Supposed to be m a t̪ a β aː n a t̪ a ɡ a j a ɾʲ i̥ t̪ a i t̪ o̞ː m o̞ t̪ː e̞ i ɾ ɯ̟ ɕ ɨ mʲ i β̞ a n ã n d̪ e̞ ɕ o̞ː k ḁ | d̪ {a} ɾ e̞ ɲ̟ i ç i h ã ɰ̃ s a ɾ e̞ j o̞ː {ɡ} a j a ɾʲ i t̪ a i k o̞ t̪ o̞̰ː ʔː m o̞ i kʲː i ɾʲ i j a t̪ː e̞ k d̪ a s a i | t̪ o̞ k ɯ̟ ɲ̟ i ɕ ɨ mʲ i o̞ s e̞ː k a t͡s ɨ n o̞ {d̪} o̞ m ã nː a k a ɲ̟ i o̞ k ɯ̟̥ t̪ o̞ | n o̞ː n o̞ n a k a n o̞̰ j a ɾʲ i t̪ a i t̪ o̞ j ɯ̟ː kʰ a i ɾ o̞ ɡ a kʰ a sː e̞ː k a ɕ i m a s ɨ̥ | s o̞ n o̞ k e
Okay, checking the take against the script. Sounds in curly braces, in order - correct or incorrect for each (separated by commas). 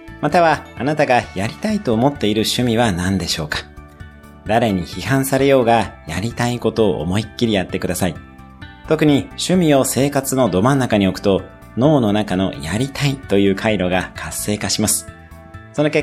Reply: correct, correct, correct